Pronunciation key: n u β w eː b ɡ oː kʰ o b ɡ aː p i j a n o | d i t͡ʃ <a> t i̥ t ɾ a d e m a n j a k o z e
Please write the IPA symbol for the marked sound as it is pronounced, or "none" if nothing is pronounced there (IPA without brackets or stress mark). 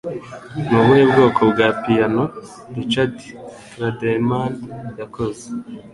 a